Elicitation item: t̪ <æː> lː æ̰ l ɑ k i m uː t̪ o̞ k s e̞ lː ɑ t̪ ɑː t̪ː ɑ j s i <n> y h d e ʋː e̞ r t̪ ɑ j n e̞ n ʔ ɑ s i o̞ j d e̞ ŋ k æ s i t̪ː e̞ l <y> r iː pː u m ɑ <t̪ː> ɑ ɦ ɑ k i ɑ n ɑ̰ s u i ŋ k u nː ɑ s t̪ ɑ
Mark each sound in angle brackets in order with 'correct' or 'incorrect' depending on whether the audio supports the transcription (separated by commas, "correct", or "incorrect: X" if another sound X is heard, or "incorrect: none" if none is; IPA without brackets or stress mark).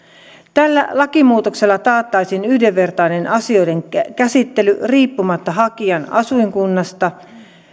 incorrect: æ, correct, correct, correct